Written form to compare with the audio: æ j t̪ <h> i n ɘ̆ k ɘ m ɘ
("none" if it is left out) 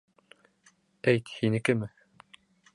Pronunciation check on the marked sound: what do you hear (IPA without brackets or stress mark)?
h